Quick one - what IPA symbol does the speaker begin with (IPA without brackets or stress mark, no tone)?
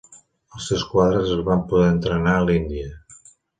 ə